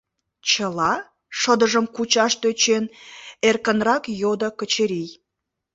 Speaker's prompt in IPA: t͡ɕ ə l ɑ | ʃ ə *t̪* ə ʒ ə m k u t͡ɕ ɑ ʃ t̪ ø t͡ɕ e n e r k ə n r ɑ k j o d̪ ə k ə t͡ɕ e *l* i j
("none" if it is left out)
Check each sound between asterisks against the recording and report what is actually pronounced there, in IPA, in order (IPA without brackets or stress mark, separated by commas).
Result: d̪, ɾ